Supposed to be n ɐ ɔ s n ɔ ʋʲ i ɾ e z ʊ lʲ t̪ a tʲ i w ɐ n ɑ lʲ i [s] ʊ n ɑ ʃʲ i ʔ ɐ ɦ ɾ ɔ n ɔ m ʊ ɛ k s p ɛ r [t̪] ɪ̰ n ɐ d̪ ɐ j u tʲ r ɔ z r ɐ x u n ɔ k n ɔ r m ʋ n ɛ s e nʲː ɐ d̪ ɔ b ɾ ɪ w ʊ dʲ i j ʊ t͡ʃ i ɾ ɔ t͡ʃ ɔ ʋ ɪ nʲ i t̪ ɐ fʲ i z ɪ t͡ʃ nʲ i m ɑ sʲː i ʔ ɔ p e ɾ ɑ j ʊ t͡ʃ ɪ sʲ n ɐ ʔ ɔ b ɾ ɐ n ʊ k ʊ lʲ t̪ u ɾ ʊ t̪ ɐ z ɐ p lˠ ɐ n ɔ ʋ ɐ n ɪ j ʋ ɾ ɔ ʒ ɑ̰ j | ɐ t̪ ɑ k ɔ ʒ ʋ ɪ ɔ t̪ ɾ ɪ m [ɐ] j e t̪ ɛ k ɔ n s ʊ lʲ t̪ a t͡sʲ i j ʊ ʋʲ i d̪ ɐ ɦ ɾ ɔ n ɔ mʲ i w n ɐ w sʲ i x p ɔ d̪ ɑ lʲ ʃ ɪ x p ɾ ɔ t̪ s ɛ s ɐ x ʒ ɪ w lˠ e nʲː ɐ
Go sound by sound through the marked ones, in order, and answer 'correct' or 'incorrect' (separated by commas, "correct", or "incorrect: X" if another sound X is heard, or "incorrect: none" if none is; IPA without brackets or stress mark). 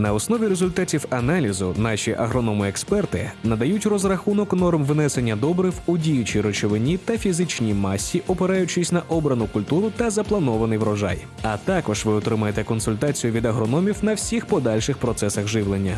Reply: incorrect: z, correct, correct